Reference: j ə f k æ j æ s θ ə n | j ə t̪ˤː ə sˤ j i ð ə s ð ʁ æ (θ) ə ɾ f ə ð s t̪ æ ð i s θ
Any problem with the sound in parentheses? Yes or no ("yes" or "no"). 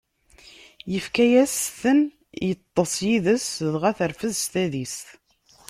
no